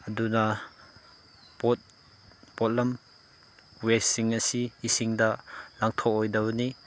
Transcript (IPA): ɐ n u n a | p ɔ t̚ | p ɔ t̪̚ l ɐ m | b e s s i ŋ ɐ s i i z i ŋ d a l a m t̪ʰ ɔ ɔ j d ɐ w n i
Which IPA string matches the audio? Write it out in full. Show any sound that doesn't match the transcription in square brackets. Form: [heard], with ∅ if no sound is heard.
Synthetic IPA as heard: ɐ [d] u n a | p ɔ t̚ | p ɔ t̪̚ l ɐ m | [w] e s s i ŋ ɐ s i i [s] i ŋ d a l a [ŋ] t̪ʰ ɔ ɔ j d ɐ w n i